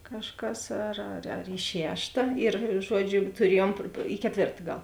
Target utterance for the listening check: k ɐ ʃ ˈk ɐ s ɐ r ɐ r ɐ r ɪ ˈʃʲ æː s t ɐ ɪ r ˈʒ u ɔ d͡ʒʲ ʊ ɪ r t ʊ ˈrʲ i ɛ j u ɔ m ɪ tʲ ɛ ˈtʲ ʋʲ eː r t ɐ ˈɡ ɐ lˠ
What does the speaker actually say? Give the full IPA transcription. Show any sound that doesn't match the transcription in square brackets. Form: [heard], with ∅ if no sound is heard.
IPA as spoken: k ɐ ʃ ˈk ɐ s ɐ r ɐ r ɐ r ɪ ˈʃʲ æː [ʃ] t ɐ ɪ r ˈʒ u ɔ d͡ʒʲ ʊ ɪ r t ʊ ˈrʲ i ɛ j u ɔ m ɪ [kʲ] ɛ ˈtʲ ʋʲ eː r t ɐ ˈɡ ɐ lˠ